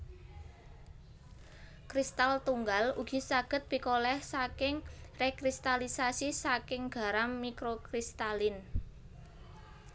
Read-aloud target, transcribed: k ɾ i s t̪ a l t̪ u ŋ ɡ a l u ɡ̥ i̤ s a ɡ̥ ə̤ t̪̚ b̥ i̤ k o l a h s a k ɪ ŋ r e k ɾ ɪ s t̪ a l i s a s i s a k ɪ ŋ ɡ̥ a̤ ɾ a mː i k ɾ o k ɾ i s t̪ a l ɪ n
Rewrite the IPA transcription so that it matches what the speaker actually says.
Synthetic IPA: k ɾ i s t̪ a l t̪ u ŋ ɡ a l u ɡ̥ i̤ s a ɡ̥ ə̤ t̪̚ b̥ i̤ k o l ɛ h s a k ɪ ŋ r e k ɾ i s t̪ a l i s a s i s a k ɪ ŋ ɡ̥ a̤ ɾ a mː i k ɾ o k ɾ i s t̪ a l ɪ n